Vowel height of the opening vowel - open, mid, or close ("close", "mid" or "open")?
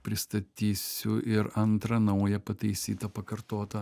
close